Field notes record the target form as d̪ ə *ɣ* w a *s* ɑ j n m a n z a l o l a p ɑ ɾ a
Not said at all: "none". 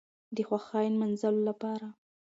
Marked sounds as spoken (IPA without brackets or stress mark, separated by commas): x, x